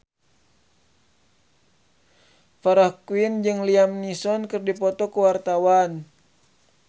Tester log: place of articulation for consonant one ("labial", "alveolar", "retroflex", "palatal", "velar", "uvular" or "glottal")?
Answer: labial